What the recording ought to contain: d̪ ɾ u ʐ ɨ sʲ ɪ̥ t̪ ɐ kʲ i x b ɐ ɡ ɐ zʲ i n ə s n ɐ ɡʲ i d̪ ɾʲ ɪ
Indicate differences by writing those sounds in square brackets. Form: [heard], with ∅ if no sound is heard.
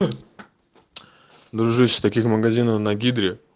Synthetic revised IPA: d̪ ɾ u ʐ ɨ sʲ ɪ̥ t̪ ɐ kʲ i x [m] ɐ ɡ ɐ zʲ i n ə [f] n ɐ ɡʲ i d̪ ɾʲ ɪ